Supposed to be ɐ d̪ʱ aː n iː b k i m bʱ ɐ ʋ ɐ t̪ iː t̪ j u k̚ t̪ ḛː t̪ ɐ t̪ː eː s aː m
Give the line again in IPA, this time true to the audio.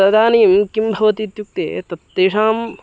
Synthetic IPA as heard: ɐ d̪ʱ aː n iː m k i m bʱ ɐ ʋ ɐ t̪ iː t̪ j u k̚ t̪ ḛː t̪ ɐ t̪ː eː ʂ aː m